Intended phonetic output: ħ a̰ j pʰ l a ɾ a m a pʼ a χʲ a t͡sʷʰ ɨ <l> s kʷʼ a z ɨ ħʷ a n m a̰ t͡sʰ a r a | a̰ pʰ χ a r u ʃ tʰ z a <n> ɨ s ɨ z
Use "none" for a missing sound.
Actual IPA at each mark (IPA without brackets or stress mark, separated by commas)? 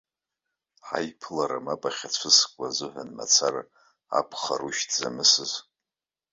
none, m